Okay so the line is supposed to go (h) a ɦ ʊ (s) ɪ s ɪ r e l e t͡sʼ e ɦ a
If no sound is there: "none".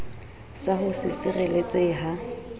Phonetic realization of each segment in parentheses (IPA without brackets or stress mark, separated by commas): s, s